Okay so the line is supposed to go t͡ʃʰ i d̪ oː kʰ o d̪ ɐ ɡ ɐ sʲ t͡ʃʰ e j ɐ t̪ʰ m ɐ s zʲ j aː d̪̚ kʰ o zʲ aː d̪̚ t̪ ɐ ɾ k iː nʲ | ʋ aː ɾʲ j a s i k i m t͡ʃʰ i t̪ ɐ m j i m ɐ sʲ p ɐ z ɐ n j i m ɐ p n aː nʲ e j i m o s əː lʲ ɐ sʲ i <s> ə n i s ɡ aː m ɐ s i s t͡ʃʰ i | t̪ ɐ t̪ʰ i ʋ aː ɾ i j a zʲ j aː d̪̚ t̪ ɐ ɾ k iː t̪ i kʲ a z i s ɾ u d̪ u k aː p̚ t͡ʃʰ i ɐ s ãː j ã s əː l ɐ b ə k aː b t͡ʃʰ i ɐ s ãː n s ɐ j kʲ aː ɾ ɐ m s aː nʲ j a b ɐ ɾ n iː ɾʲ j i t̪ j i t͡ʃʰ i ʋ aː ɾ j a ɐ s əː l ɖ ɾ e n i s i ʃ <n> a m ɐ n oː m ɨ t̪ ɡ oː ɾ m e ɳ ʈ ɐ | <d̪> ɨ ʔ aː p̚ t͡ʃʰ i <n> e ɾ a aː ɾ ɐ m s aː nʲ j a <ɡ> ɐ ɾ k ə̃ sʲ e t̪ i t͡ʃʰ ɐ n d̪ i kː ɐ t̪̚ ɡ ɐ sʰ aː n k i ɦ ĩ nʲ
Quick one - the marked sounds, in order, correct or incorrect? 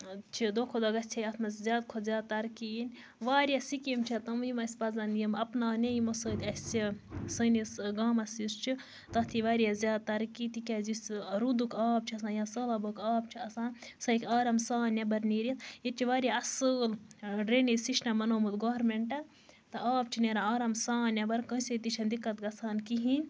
correct, correct, incorrect, correct, incorrect

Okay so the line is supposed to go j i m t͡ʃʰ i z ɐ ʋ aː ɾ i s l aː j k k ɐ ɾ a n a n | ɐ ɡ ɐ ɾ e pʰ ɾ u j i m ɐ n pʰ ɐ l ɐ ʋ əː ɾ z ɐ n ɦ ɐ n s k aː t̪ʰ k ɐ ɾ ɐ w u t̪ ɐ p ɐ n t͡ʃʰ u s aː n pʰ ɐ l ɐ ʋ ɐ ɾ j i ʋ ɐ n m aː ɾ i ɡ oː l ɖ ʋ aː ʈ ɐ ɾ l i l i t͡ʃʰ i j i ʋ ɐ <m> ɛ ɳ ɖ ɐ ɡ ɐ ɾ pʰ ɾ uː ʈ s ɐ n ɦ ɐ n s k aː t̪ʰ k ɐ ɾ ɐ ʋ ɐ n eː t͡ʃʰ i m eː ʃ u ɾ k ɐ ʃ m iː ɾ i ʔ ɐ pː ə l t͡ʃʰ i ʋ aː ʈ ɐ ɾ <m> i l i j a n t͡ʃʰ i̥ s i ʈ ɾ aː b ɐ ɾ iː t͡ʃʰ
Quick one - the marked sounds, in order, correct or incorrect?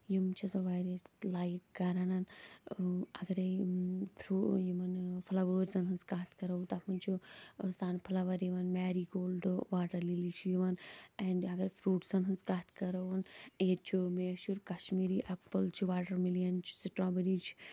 incorrect, correct

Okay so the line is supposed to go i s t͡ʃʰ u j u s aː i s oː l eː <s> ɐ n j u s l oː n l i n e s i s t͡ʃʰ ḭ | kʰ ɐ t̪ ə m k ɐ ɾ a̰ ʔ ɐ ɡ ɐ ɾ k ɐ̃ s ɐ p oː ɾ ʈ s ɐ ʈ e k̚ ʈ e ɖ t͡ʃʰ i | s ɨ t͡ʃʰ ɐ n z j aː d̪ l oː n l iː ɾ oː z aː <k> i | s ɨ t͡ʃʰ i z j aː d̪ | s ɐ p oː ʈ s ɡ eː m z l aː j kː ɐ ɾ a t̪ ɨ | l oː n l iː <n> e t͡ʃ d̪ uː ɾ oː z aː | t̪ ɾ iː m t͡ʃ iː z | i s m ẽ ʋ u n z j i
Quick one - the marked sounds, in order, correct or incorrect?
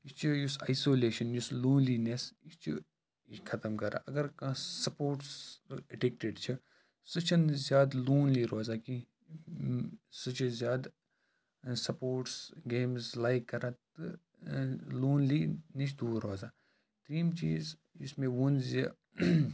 incorrect, correct, correct

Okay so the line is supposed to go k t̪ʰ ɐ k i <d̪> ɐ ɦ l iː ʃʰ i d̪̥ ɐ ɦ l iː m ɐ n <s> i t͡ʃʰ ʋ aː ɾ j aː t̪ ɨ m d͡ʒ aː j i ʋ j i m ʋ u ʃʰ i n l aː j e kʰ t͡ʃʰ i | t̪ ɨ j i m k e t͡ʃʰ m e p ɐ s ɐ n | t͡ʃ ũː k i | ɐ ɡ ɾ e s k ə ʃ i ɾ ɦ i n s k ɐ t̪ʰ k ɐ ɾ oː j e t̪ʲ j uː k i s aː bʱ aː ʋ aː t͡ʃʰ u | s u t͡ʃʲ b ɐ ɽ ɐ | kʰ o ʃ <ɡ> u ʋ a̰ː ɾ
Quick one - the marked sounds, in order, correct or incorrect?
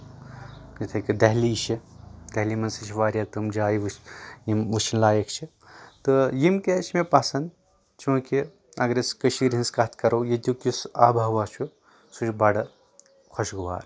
correct, correct, correct

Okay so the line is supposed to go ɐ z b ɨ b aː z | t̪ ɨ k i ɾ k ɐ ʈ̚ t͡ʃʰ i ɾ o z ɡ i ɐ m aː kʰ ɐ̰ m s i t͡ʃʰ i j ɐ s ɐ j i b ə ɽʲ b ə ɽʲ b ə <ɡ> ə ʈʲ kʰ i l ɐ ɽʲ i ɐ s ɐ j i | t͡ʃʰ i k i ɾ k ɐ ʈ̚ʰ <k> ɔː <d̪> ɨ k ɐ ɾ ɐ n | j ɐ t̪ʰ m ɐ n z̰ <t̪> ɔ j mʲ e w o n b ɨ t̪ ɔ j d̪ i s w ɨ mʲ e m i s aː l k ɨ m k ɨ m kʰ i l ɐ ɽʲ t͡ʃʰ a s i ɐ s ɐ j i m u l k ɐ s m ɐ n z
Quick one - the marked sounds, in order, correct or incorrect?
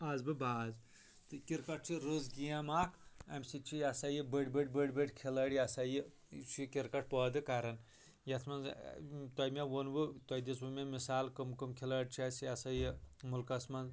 incorrect, incorrect, correct, correct

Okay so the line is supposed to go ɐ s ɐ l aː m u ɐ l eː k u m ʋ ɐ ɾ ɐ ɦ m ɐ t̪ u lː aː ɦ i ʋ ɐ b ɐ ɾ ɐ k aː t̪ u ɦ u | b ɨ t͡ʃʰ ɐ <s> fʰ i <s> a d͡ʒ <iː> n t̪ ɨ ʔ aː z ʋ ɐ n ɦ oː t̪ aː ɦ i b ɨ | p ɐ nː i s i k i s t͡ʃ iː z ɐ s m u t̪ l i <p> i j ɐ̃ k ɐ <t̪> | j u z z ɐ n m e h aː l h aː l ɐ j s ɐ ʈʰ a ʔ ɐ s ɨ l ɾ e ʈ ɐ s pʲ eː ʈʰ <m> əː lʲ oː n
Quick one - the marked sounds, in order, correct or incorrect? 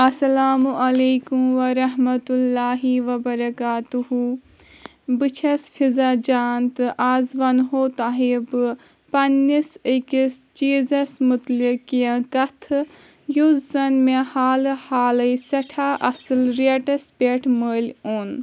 correct, incorrect, incorrect, incorrect, incorrect, correct

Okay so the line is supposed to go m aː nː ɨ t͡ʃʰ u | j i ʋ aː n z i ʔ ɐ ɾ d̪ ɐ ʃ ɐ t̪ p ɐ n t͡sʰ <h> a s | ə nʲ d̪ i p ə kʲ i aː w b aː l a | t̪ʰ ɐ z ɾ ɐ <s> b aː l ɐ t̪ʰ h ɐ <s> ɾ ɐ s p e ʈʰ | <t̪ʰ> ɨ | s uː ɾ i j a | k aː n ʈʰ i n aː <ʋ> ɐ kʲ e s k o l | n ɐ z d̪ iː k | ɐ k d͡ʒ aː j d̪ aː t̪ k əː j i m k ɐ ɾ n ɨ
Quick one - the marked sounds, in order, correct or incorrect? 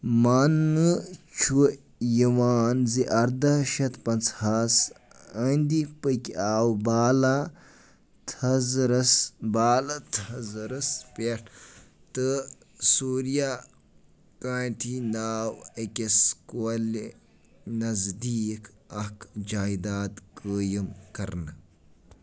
correct, correct, incorrect, incorrect, incorrect

